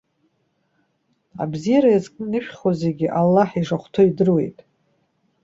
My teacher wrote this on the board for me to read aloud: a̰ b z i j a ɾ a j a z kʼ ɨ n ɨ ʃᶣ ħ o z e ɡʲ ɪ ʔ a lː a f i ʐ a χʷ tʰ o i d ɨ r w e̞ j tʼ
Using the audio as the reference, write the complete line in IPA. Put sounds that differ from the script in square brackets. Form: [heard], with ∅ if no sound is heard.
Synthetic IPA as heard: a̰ b z i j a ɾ a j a z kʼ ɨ n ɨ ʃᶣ [χ] o z e ɡʲ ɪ ʔ a lː a [ħ] i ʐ a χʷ tʰ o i d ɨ r w e̞ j tʼ